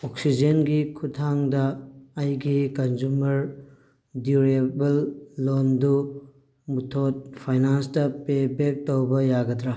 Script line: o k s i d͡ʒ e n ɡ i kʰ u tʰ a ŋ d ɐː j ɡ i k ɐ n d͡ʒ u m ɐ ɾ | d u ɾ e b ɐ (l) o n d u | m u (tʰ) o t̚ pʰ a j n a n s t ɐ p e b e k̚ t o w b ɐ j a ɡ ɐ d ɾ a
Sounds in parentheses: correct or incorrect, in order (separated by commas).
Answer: incorrect, correct